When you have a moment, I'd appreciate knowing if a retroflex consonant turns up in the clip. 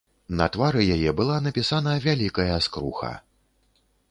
no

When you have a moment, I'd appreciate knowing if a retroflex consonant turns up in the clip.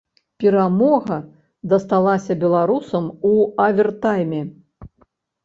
no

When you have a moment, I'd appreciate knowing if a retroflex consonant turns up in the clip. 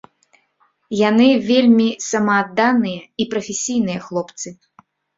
no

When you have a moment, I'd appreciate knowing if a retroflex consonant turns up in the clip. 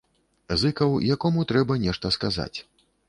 yes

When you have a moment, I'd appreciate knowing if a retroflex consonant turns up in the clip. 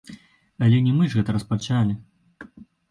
yes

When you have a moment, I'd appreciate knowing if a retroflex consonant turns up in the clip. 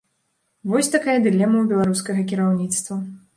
no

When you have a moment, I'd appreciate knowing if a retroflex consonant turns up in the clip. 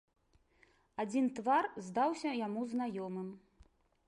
no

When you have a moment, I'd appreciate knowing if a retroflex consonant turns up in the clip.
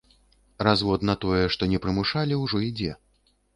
yes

